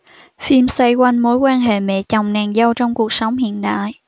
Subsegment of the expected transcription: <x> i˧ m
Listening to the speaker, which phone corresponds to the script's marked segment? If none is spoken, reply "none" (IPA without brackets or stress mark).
f